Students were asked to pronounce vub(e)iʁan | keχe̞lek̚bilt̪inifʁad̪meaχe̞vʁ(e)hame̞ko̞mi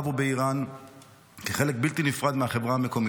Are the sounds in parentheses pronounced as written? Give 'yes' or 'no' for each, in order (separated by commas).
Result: yes, no